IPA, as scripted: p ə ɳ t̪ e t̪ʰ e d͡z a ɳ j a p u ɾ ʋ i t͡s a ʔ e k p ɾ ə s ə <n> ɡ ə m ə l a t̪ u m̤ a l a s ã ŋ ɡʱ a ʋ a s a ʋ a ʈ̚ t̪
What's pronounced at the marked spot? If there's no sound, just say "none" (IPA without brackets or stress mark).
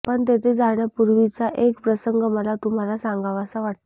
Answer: ŋ